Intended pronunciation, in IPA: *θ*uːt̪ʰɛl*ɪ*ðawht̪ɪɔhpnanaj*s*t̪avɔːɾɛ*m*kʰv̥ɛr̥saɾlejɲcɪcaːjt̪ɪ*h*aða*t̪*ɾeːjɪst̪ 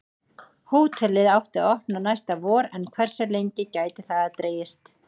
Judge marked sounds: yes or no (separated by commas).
no, yes, yes, no, no, yes